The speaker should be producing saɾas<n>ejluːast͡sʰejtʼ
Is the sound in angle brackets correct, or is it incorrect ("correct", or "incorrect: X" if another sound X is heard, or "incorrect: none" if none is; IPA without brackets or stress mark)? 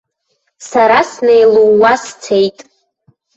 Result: correct